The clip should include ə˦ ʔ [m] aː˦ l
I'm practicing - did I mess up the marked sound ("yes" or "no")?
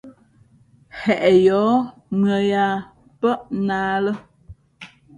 yes